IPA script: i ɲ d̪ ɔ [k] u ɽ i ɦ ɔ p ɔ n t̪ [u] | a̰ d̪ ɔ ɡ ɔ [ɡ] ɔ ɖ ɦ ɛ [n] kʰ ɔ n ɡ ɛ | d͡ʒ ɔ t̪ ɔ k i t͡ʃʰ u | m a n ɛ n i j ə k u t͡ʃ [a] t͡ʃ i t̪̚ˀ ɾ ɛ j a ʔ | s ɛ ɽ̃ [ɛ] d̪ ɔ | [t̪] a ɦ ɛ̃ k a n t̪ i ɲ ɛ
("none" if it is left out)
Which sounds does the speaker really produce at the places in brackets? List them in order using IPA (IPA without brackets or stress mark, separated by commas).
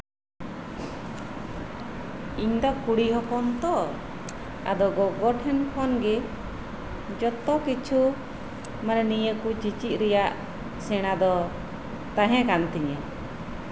k, ɔ, ɡ, n, i, a, t̪